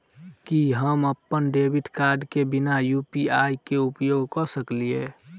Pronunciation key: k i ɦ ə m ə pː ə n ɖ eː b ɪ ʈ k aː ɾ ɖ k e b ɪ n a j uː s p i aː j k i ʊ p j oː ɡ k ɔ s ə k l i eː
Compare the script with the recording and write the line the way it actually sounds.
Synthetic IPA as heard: k i ɦ ə m ə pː ə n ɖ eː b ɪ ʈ k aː ɾ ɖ k e b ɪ n a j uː p i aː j k e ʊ p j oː ɡ k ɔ s ə k l i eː